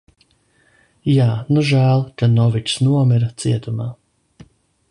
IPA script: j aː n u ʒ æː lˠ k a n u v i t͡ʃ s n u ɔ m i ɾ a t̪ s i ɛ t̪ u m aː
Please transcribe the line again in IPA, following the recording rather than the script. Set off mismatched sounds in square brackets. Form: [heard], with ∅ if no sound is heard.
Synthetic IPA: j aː n u ʒ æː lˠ k a n [ɔ] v i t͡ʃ s n u ɔ m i ɾ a t̪ s i ɛ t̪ u m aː